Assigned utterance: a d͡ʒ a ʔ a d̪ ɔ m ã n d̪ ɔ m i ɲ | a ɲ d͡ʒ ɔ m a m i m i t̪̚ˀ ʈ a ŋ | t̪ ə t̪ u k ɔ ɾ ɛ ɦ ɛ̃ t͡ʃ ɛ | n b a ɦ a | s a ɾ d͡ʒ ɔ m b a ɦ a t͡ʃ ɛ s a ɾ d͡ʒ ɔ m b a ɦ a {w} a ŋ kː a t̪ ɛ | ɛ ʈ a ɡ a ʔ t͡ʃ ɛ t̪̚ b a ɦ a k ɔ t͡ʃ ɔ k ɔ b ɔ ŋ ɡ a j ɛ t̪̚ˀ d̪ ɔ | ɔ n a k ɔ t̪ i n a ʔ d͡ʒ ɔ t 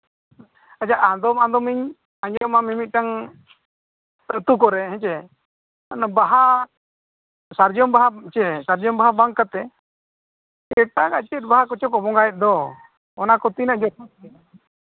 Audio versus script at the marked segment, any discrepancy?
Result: yes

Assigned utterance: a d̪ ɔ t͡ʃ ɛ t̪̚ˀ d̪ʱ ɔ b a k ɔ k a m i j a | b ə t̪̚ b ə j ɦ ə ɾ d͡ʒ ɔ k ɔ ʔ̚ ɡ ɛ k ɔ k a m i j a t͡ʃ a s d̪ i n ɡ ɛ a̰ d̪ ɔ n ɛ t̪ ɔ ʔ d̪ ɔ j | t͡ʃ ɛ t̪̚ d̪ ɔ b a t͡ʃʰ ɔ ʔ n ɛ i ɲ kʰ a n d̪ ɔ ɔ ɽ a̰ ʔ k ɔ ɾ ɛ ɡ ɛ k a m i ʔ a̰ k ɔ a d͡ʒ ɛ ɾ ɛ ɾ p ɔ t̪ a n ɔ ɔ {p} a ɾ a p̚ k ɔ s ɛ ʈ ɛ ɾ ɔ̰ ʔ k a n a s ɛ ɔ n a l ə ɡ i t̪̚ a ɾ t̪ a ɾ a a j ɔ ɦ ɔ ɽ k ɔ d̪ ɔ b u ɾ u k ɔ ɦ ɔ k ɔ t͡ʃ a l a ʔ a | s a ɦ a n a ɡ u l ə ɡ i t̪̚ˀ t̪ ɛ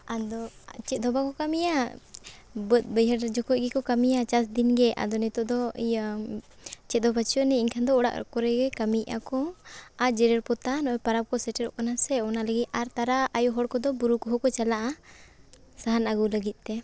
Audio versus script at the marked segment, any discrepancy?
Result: no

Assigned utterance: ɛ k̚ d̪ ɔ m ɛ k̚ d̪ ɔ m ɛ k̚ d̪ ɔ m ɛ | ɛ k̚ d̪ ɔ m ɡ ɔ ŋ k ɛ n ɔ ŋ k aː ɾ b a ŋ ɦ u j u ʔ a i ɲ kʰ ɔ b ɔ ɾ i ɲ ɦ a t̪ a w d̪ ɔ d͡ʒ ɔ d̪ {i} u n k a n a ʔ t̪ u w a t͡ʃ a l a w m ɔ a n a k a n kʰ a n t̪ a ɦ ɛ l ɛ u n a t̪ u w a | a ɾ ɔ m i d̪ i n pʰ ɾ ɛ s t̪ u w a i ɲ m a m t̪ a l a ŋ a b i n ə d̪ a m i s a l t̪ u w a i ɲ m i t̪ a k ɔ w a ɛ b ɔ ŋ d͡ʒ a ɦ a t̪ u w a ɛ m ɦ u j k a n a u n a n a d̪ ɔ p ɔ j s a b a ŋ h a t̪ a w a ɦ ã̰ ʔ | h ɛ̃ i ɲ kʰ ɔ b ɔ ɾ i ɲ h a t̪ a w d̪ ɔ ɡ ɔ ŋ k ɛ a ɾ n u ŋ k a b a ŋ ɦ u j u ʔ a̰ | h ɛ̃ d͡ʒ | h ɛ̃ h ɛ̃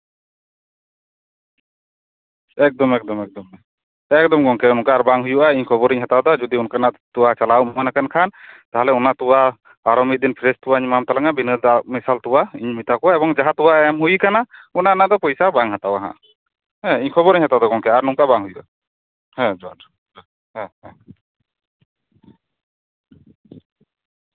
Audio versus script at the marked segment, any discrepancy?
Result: no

